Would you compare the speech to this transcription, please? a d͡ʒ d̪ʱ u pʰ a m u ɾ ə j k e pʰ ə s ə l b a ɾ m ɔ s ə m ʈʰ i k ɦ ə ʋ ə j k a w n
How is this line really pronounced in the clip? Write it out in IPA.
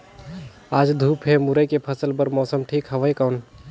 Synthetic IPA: a d͡ʒ d̪ʱ u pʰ e m u ɾ ə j k e pʰ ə s ə l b ə ɾ m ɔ s ə m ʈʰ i k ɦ ə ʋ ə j k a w n